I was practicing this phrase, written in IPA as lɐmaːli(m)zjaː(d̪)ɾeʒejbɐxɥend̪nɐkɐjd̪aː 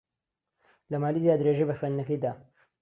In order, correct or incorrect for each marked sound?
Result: incorrect: none, correct

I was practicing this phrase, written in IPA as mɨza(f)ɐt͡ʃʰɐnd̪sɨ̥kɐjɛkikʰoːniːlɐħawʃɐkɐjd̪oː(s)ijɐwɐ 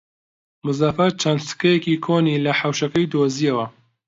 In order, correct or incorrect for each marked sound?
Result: correct, incorrect: z

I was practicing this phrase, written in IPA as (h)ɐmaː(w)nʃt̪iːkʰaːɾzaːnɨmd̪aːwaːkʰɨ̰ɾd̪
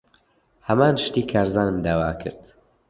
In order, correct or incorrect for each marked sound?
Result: correct, incorrect: none

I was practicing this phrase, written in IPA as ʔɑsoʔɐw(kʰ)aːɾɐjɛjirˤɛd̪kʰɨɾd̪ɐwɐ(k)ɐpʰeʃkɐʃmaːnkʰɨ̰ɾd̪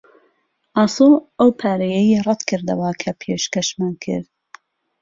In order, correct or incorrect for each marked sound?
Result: incorrect: pʰ, incorrect: kʰ

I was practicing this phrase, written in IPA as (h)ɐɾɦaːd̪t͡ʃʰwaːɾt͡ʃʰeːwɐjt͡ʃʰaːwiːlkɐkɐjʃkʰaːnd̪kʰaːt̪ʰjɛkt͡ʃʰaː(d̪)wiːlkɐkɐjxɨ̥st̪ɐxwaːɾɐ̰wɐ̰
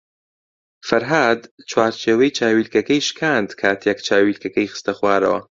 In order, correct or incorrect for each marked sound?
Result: incorrect: f, incorrect: none

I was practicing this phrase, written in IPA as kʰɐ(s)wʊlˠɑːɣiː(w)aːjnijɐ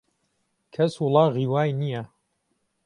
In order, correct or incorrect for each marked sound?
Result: correct, correct

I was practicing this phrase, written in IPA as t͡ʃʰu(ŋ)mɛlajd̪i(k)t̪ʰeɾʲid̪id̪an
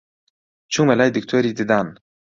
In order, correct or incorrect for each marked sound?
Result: correct, correct

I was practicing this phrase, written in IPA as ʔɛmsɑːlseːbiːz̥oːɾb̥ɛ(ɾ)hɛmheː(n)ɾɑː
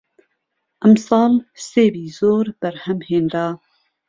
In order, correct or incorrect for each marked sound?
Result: correct, correct

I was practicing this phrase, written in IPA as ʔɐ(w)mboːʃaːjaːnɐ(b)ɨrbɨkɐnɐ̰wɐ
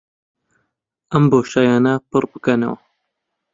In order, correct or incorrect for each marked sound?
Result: incorrect: none, incorrect: p

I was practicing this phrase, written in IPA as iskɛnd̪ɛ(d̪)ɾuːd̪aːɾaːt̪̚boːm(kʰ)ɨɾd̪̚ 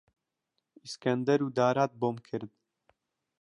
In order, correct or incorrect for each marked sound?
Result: incorrect: none, correct

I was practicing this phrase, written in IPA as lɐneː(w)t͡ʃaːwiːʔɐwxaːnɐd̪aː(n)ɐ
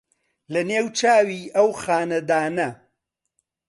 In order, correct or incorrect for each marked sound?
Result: correct, correct

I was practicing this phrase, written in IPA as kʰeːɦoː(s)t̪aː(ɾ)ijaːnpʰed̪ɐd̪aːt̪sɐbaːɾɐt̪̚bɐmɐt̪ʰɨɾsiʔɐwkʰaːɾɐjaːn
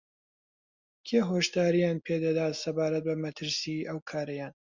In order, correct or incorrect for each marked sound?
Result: incorrect: ʃ, correct

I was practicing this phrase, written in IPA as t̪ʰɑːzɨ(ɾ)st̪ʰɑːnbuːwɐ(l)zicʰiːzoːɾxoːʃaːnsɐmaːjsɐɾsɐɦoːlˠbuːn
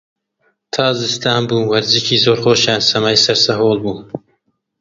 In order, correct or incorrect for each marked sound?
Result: incorrect: none, incorrect: ɾ

